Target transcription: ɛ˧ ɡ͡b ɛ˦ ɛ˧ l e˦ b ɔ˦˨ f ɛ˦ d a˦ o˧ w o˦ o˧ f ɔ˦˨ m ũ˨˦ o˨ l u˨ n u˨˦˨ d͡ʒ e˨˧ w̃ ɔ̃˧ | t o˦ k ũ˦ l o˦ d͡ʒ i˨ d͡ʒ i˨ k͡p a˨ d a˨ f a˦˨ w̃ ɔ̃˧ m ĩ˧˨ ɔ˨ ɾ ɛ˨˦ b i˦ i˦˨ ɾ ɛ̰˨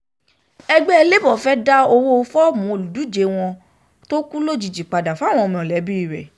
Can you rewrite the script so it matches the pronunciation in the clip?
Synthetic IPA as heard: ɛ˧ ɡ͡b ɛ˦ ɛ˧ l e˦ b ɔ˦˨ f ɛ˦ d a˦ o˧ w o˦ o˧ f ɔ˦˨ m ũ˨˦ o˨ l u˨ d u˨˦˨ d͡ʒ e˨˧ w̃ ɔ̃˧ | t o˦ k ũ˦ l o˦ d͡ʒ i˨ d͡ʒ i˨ k͡p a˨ d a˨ f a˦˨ w̃ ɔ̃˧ m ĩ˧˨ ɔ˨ l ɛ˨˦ b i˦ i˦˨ ɾ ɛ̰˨

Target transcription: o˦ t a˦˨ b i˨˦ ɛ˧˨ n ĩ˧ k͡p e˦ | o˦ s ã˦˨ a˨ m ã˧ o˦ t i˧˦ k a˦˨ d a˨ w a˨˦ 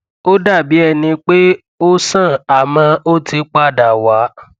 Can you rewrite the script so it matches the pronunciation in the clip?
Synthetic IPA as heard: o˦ d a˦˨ b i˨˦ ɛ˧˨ n ĩ˧ k͡p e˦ | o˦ s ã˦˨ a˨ m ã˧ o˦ t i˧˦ k͡p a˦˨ d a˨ w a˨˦

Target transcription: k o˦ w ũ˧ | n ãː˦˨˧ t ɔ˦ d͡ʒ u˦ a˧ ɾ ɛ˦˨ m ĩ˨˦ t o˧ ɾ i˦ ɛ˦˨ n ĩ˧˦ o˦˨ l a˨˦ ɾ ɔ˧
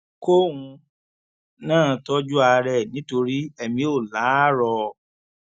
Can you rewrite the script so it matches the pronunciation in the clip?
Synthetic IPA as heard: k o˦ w ũ˧ | n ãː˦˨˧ t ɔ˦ d͡ʒ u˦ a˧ ɾ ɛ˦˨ n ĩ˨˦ t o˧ ɾ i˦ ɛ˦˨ m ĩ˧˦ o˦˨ l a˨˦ ɾ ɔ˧

